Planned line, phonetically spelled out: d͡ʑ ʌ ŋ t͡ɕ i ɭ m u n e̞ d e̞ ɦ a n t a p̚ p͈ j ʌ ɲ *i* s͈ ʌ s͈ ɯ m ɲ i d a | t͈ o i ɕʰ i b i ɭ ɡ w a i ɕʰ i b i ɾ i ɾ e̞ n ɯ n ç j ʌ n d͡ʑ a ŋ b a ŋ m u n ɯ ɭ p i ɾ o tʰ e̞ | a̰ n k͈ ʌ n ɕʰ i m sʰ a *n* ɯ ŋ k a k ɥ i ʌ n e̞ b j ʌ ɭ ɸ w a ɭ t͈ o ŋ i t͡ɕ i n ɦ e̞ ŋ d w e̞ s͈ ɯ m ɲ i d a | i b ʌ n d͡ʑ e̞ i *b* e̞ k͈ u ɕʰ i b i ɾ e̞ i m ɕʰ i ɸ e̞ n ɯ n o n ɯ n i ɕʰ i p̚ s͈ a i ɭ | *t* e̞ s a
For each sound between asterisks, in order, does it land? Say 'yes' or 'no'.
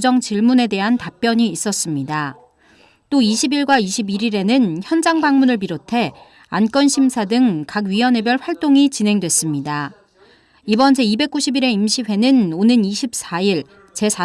no, no, yes, no

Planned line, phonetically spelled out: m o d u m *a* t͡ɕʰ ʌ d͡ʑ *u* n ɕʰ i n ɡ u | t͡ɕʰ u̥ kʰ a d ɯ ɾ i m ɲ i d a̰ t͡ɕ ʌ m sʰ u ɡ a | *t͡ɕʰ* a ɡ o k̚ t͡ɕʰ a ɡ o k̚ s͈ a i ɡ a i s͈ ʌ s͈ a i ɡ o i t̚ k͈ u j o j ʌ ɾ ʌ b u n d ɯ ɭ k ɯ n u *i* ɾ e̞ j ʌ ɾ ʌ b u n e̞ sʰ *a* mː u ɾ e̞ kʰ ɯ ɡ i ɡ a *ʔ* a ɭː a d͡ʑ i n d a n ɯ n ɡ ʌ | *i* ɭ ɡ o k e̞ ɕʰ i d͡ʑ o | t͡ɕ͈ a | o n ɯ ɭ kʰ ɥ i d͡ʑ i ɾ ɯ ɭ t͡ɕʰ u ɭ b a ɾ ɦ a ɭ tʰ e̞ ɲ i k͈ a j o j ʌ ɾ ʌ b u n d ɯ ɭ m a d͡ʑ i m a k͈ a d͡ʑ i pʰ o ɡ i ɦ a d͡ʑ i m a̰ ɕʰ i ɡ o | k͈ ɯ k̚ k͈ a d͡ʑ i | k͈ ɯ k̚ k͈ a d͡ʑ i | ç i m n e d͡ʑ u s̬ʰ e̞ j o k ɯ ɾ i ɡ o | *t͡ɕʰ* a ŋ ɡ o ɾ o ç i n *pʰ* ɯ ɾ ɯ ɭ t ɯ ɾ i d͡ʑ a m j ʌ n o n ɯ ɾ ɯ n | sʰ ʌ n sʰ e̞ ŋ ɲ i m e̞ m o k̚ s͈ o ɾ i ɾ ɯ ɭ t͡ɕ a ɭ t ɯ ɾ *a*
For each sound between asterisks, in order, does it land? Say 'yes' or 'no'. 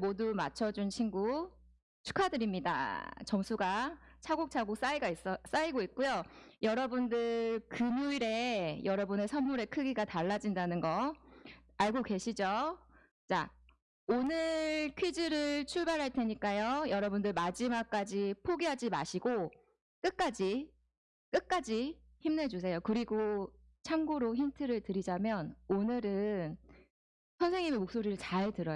yes, yes, yes, yes, no, no, no, yes, no, no

